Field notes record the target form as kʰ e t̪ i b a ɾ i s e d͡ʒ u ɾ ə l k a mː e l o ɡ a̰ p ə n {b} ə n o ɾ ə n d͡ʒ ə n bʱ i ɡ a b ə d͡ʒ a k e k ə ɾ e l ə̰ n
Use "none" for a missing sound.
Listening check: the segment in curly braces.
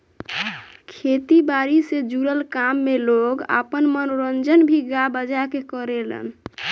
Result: m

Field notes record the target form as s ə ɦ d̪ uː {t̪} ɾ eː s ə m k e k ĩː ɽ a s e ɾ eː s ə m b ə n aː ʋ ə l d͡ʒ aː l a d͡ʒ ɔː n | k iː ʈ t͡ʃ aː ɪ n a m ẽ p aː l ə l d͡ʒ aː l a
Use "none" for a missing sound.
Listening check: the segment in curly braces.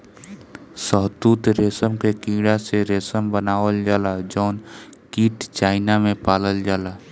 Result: t̪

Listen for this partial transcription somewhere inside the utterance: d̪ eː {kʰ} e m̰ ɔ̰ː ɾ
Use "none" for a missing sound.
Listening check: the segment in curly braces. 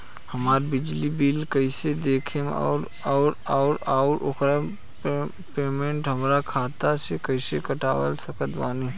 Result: kʰ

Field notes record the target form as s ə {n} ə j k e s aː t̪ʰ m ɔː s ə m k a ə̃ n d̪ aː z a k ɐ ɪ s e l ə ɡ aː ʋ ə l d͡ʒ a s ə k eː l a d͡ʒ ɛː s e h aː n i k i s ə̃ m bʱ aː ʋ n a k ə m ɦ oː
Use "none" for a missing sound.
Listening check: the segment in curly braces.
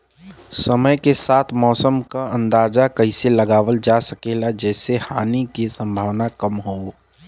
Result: m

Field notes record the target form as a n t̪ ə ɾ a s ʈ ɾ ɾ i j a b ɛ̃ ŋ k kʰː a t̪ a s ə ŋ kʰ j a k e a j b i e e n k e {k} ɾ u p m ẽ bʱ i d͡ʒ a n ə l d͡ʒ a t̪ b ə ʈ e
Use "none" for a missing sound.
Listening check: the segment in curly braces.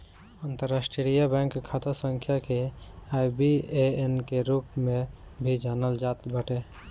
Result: none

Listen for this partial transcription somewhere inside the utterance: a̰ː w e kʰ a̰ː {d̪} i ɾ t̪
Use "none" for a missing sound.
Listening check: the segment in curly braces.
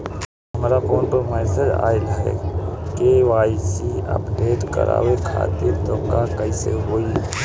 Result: t̪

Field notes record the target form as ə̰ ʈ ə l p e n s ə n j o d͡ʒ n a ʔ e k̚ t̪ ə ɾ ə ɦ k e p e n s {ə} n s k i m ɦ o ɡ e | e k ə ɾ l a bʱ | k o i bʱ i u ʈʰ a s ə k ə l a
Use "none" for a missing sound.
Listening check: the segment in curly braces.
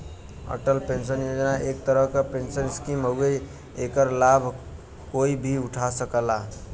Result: ə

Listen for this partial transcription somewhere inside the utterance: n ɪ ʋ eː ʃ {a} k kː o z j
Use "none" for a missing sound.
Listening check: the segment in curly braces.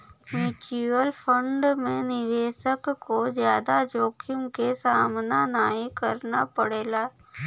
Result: ə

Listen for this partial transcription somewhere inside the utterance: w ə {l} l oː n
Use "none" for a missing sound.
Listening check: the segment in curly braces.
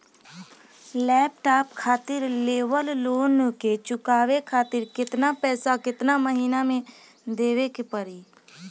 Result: l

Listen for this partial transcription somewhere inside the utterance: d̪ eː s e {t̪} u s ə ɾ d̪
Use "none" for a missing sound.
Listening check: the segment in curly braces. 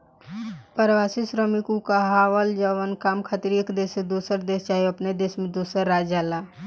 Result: d̪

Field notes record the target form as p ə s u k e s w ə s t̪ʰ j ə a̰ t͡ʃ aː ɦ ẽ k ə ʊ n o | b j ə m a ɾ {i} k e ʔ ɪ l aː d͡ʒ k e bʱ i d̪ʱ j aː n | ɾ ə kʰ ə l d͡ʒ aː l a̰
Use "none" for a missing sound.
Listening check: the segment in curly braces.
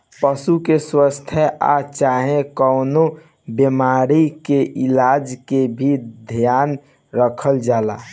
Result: i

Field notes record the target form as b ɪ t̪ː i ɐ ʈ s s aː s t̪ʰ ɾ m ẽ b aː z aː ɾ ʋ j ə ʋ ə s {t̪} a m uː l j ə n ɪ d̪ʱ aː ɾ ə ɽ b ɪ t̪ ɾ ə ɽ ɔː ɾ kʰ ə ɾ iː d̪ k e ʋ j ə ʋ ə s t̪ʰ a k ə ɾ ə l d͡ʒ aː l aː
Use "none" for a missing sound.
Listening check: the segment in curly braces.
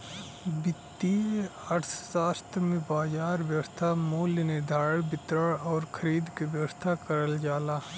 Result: t̪ʰ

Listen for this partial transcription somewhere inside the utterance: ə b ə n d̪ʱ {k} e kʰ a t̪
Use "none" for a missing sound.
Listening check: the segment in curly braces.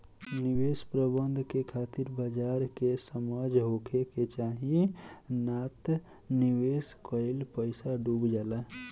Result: k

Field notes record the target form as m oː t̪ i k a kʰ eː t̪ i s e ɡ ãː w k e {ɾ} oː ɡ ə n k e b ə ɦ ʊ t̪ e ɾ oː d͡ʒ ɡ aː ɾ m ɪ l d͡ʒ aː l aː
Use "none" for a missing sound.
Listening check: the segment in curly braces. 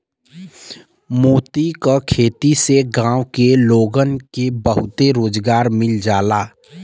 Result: l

